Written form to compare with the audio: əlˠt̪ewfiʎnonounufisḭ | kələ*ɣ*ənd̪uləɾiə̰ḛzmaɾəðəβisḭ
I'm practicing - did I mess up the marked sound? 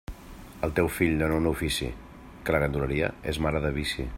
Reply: no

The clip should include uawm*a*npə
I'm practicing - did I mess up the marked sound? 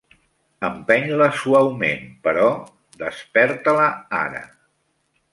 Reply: yes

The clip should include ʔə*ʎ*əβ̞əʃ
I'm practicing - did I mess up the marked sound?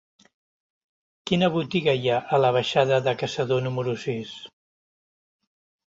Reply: yes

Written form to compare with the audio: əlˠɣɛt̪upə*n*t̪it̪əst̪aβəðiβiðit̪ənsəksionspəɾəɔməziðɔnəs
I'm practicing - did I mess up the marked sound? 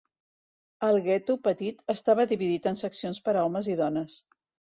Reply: yes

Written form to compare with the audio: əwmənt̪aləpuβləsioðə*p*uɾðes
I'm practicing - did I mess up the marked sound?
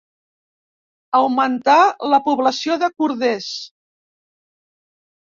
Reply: yes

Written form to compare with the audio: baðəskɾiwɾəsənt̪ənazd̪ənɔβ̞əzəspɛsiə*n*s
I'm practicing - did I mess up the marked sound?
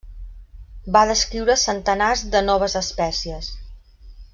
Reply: yes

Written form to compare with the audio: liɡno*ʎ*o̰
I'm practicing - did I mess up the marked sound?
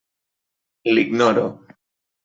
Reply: yes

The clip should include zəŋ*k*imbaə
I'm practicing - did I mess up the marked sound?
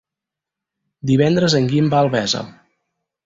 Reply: yes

